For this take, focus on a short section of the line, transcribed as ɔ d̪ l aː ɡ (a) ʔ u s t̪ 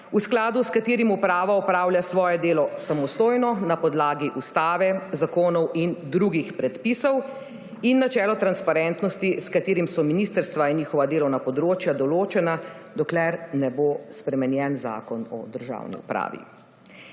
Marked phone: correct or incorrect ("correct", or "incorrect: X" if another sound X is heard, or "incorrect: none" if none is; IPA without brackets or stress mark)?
incorrect: i